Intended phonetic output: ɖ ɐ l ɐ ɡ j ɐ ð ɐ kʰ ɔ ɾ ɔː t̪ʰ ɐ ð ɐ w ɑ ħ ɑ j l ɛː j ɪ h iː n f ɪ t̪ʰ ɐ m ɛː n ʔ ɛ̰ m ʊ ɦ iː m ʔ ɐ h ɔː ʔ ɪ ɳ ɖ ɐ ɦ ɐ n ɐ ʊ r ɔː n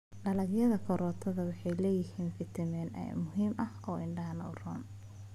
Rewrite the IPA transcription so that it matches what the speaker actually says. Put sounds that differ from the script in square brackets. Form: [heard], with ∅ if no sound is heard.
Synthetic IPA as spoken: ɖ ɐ l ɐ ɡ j ɐ ð ɐ kʰ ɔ ɾ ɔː t̪ʰ ɐ ð ɐ w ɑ ħ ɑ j l ɛː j ɪ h iː n f ɪ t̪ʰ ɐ m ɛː n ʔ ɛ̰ m ʊ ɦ iː m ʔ ɐ h ɔː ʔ ɪ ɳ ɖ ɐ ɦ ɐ n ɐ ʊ r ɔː n